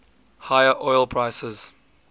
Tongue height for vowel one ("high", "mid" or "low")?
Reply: low